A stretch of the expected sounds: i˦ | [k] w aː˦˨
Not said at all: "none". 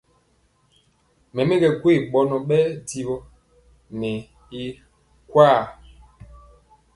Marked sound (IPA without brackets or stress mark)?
k